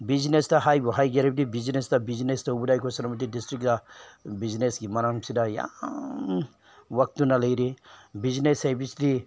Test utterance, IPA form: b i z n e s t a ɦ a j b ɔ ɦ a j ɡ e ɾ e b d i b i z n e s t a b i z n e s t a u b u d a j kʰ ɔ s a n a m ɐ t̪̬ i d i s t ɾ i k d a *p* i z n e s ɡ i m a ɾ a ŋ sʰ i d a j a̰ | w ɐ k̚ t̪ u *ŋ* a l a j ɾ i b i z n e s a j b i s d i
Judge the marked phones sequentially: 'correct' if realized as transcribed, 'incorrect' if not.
incorrect: b, incorrect: n

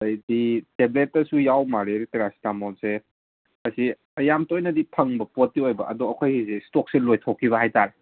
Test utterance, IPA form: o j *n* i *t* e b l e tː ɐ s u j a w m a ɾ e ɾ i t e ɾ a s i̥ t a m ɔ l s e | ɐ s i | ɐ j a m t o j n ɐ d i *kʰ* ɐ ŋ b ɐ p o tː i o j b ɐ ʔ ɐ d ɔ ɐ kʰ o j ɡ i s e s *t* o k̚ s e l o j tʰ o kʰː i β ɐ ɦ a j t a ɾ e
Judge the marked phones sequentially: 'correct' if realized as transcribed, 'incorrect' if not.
incorrect: d, correct, incorrect: pʰ, correct

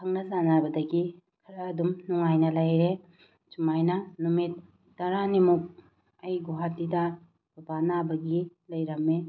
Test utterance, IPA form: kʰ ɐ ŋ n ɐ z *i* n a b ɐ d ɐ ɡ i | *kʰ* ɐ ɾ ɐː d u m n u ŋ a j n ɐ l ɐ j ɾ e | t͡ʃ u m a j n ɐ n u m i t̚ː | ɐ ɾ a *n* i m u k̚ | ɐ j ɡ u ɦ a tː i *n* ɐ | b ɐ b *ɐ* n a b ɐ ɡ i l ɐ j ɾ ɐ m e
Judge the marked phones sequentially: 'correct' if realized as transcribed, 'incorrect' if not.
incorrect: a, correct, correct, incorrect: d, incorrect: a

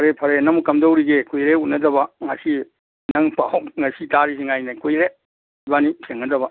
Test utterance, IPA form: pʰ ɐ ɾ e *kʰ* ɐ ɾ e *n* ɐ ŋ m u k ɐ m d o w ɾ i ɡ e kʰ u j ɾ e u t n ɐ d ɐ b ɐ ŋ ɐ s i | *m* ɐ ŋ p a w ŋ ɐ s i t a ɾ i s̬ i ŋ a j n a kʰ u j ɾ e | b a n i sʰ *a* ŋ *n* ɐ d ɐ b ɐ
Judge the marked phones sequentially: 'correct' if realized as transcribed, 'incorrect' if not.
incorrect: pʰ, correct, incorrect: n, incorrect: e, correct

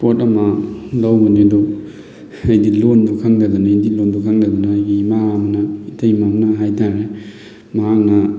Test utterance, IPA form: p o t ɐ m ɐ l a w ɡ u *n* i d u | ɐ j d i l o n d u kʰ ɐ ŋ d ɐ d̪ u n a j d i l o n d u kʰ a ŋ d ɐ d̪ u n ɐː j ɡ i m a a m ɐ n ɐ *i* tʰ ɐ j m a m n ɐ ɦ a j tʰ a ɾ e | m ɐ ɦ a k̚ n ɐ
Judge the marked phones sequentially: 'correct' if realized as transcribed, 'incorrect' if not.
correct, correct

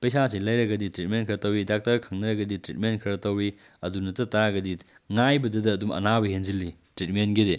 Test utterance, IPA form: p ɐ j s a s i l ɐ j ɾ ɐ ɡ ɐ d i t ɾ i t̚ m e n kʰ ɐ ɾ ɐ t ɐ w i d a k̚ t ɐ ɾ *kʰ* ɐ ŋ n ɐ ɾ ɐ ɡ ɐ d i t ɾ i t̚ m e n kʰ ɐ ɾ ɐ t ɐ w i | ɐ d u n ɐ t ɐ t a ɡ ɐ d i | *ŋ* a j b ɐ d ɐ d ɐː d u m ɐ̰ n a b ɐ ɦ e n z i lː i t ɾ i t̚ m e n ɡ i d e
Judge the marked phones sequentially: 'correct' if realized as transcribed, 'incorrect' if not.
correct, correct

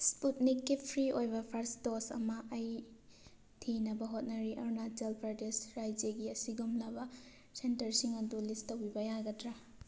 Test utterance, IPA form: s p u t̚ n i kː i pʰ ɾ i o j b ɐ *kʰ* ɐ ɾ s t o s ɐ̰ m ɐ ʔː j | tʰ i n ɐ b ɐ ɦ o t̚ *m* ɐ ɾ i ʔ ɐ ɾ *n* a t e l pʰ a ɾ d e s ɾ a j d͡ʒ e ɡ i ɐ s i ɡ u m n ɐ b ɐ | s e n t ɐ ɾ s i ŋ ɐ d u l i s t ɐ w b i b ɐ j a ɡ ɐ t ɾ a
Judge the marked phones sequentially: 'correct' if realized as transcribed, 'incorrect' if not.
incorrect: pʰ, incorrect: n, correct

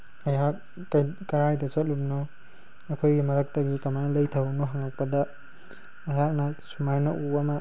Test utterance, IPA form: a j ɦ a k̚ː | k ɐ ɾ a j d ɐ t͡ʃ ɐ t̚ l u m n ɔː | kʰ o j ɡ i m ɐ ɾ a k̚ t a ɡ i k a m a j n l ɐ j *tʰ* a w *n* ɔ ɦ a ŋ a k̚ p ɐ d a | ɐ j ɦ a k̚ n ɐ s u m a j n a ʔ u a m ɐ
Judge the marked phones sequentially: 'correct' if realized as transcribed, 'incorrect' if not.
correct, correct

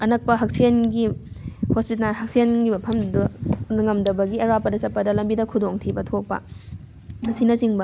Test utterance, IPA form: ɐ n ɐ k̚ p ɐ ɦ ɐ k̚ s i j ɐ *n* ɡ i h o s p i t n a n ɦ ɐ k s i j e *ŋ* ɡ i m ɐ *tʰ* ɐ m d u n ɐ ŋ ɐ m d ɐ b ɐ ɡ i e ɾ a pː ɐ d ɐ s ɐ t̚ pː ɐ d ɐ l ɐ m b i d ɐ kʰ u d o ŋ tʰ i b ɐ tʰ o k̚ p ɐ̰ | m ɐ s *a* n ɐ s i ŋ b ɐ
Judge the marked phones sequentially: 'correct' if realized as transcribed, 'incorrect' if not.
correct, incorrect: n, incorrect: pʰ, incorrect: i

